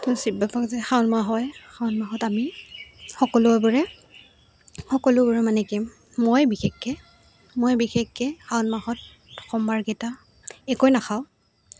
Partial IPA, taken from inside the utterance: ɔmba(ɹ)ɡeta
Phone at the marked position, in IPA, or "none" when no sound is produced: ɹ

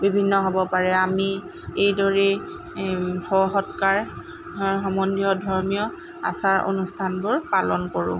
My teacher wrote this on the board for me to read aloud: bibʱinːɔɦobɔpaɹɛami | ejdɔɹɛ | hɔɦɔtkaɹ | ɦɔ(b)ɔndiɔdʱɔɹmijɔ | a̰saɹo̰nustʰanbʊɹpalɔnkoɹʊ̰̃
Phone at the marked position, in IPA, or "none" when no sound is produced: m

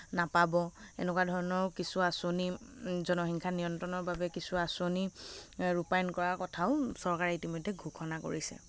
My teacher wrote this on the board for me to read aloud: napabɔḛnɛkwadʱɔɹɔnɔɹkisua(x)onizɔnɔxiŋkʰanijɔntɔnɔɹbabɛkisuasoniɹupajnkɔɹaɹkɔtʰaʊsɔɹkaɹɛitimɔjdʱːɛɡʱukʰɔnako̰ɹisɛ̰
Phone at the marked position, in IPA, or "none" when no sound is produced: s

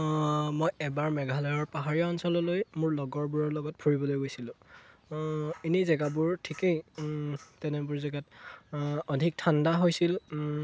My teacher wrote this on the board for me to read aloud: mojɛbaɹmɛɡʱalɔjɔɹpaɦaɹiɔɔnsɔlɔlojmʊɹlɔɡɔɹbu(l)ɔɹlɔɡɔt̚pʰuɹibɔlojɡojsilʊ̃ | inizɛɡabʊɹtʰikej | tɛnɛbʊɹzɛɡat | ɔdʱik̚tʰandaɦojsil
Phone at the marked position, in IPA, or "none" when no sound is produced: ɹ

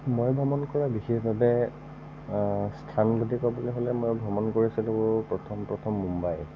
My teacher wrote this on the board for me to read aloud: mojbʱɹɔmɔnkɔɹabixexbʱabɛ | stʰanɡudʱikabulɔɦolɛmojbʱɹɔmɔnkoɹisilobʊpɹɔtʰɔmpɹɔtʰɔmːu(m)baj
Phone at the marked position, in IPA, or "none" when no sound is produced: m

